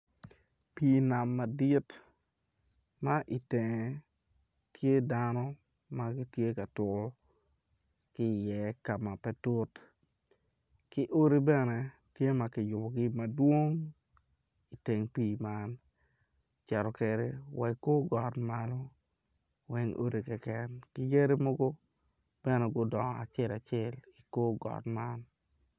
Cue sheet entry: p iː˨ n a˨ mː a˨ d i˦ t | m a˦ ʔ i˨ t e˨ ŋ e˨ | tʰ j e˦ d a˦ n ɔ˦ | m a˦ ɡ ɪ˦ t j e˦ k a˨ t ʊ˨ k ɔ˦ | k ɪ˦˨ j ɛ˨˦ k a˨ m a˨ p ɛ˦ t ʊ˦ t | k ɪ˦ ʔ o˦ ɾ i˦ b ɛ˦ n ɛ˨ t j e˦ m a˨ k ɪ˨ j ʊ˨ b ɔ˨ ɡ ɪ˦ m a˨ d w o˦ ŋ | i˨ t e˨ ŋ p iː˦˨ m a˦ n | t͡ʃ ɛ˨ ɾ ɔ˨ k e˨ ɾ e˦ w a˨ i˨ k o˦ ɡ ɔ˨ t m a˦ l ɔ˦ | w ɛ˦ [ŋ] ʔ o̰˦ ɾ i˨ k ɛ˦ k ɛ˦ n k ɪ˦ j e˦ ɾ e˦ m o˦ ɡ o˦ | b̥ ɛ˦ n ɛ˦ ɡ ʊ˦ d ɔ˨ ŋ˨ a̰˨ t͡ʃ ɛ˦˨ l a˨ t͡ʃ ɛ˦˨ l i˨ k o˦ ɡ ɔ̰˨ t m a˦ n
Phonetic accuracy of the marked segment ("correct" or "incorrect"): correct